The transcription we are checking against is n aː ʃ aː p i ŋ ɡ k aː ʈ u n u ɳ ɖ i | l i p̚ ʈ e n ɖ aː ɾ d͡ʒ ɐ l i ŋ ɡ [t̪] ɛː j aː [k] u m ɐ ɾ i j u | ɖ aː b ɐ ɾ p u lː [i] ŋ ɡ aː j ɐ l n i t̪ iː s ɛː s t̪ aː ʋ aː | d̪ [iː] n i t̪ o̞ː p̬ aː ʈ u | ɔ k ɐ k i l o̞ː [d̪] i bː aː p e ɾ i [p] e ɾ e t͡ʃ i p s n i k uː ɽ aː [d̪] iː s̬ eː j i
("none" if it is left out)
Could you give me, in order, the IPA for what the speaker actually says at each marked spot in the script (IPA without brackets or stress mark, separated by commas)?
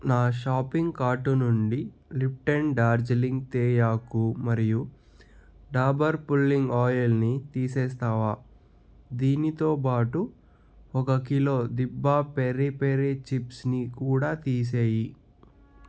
t̪, k, i, iː, d̪, p, t̪